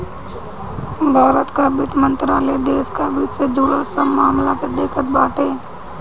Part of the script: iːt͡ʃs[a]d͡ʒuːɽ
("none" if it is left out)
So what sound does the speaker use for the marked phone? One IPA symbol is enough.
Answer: e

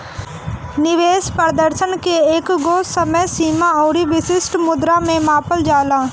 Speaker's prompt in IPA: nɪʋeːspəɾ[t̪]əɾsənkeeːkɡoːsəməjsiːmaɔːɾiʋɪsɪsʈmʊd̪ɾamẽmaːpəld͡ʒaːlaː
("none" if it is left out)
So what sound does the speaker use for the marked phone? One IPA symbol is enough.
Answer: d̪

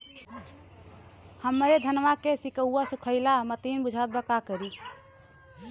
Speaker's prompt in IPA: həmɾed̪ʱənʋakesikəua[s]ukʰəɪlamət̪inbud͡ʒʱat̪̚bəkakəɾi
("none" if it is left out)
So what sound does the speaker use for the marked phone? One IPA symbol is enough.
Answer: s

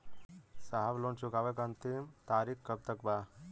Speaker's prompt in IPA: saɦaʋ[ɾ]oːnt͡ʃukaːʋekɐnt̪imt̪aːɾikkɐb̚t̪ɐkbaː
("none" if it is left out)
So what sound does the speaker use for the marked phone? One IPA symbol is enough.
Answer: l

